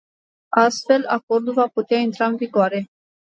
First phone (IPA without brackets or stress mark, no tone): a